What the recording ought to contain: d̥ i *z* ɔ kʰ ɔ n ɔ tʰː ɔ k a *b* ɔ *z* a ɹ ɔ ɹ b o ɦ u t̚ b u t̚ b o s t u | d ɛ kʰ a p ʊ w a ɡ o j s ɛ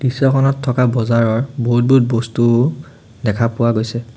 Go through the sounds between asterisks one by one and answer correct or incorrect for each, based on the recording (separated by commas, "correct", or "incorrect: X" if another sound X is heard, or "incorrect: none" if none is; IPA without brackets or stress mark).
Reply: incorrect: s, correct, correct